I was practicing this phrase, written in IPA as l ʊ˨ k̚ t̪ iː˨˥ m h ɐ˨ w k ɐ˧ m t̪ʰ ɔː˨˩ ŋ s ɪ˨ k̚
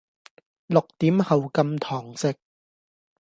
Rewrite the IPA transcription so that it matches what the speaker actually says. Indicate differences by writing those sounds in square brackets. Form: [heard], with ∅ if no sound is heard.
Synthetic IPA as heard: l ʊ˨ k̚ t̪ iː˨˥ m h ɐ˨ w k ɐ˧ m t̪ʰ ɔː˨˩ ŋ s ɪ˨ k̚